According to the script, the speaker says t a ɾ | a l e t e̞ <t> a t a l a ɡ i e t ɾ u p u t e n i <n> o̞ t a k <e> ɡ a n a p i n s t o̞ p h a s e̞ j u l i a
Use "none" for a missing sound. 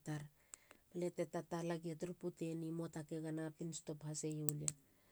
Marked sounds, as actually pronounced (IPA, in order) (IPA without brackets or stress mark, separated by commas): t, m, e